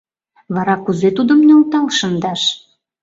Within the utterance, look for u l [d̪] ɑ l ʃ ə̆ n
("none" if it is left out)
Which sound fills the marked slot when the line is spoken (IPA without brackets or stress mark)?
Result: t̪